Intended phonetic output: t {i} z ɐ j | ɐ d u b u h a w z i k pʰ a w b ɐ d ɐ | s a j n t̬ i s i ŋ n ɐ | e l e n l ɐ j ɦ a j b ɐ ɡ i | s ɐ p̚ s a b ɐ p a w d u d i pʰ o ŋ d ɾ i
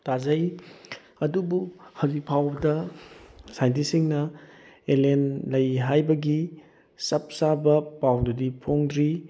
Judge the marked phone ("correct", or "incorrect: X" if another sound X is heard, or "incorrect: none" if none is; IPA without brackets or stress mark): incorrect: a